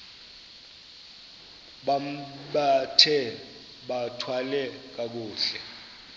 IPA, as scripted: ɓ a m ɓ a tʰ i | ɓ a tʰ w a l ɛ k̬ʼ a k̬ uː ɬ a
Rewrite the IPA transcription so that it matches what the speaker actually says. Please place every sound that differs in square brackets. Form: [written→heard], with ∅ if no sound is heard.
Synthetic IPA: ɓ a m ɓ a tʰ [i→ɛ] | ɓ a tʰ w a l ɛ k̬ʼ a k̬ uː ɬ [a→ɛ]